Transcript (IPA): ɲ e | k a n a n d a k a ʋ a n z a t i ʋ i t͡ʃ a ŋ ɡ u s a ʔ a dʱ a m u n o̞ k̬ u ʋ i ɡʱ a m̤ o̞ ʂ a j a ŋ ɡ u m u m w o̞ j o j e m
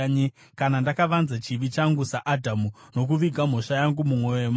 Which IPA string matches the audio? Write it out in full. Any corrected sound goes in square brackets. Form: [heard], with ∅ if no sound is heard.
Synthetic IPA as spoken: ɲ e | k a n a n d a k a ʋ a n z a [t͡ʃ] i ʋ i t͡ʃ a ŋ ɡ u s a ʔ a dʱ a m u n o̞ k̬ u ʋ i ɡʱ a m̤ o̞ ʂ a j a ŋ ɡ u m u m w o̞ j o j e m